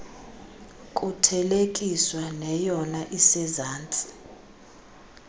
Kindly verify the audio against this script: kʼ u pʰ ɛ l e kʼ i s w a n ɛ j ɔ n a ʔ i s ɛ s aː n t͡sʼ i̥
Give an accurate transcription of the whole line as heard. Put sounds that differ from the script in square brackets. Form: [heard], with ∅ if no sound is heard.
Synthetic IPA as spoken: kʼ u [tʰ] ɛ l e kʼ i s w a n ɛ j ɔ n a ʔ i s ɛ [z] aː n t͡sʼ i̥